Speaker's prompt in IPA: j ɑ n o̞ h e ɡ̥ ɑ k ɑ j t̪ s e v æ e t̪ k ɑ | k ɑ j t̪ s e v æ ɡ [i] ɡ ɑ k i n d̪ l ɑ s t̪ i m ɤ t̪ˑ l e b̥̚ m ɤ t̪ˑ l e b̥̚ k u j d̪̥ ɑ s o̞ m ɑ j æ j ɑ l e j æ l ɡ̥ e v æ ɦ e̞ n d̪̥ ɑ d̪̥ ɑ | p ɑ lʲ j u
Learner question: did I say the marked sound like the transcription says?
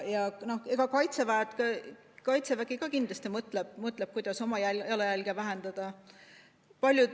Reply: yes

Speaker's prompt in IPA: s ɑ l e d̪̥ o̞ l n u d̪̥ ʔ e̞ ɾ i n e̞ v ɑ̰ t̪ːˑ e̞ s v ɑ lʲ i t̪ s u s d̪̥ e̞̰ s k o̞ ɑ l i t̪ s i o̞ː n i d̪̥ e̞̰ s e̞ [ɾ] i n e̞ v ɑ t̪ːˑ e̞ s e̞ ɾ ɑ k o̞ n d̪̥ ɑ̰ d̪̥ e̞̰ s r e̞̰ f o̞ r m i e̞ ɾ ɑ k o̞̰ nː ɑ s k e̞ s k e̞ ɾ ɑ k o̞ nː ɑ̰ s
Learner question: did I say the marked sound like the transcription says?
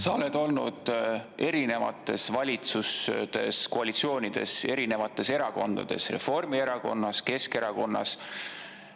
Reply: yes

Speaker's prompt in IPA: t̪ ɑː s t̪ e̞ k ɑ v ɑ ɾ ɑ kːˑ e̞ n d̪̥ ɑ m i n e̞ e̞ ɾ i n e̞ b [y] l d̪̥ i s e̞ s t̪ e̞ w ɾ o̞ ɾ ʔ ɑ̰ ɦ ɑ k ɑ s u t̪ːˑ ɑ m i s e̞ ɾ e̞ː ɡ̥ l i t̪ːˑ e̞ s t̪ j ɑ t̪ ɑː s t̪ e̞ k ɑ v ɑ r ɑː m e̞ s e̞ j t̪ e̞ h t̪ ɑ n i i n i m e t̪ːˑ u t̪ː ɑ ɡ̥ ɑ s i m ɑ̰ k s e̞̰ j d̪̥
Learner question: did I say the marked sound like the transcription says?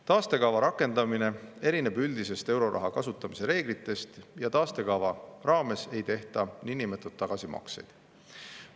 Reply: yes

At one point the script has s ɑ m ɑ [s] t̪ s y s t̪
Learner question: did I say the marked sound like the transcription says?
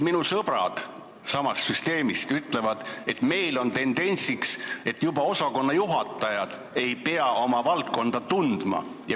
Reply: yes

